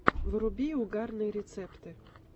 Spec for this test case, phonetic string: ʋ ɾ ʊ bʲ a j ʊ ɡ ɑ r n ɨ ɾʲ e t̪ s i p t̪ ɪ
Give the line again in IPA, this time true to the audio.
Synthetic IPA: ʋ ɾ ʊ bʲ i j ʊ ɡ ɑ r n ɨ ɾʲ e t̪ s ɛ p t̪ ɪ